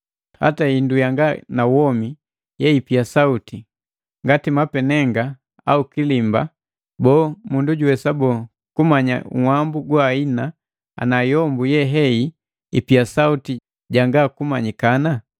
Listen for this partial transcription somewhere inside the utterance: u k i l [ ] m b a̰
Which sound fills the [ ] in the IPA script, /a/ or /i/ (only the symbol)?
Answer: i